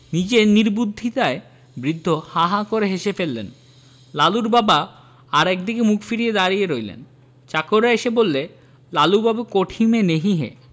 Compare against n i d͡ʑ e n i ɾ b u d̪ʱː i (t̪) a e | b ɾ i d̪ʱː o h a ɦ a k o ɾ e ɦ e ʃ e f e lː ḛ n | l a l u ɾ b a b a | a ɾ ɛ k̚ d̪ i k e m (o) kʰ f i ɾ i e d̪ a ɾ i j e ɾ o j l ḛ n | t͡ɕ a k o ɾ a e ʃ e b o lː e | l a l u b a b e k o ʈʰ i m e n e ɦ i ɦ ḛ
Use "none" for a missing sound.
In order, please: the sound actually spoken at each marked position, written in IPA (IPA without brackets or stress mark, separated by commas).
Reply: t̪, u